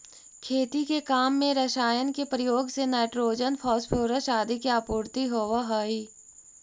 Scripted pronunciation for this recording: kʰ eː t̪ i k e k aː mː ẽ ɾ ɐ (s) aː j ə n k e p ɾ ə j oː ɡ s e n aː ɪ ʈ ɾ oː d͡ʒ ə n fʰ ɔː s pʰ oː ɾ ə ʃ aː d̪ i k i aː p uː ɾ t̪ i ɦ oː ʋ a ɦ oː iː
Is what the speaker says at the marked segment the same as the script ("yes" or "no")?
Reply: no